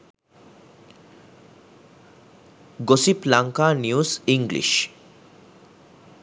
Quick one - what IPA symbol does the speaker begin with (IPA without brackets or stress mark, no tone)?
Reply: ɡ